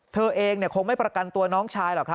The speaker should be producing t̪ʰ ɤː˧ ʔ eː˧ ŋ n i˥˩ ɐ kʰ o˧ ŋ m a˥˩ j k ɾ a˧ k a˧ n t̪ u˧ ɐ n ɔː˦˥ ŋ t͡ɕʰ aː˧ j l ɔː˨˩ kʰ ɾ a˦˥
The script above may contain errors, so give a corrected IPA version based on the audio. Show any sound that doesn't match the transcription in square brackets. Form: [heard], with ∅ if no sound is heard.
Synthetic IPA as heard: t̪ʰ ɤː˧ ʔ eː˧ ŋ n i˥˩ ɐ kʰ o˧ ŋ m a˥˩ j [p] ɾ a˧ k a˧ n t̪ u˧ ɐ n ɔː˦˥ ŋ t͡ɕʰ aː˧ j l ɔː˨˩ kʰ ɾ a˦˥